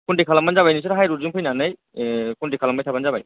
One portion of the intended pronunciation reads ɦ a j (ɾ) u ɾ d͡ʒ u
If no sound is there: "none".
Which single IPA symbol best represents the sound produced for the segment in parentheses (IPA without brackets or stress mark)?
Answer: ɾ